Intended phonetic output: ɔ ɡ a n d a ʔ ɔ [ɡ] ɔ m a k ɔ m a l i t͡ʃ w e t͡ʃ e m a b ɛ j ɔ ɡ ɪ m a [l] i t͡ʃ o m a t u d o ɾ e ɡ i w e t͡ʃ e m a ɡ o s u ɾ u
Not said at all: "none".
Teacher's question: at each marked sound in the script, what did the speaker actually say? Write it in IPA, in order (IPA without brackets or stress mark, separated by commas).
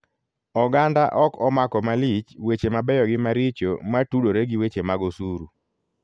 k, ɾ